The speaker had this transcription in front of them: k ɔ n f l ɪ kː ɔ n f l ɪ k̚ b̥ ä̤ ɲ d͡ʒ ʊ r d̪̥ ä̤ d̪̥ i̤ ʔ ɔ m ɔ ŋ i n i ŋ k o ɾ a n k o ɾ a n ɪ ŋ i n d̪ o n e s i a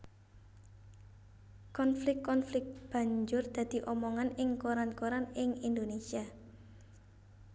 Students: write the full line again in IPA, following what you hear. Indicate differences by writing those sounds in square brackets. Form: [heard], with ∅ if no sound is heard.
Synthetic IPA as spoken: k ɔ n f l ɪ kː ɔ n f l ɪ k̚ b̥ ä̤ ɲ d͡ʒ ʊ r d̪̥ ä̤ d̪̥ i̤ ʔ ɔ m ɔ ŋ [a] n [ɪ] ŋ k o ɾ a n k o ɾ a n ɪ ŋ i n d̪ o n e s i a